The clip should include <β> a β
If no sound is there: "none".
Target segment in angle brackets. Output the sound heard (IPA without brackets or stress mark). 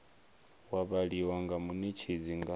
w